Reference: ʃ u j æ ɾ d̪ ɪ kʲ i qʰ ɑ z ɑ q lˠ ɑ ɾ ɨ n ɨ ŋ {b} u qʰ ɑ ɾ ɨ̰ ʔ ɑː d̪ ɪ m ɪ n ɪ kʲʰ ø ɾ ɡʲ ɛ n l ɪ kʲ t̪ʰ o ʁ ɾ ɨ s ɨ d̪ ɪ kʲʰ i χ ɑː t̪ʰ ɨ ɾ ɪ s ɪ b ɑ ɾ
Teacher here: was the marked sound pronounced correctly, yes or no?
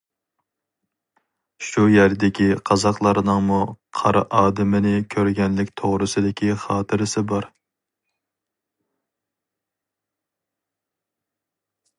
no